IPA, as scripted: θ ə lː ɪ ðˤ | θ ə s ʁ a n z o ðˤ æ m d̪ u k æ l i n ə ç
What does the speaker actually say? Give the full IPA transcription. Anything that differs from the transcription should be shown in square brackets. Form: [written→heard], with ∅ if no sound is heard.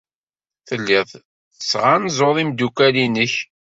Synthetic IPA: θ ə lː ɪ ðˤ | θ ə s ʁ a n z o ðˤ [æ→i] m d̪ u k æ l i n ə ç